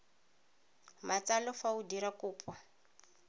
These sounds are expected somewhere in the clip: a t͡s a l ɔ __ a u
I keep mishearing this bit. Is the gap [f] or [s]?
f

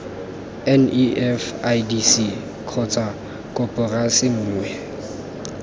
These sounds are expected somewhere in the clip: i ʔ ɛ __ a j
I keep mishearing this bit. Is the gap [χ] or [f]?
f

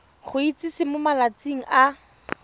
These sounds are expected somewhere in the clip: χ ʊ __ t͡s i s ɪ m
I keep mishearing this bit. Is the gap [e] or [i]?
i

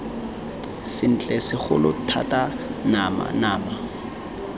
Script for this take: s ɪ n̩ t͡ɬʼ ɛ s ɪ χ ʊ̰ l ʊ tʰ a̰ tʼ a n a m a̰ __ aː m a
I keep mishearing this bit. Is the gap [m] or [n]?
n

